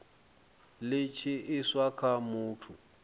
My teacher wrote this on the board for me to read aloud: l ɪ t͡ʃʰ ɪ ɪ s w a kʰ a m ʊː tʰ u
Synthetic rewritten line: l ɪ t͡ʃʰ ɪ ɪ s w a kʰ a m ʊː tʰ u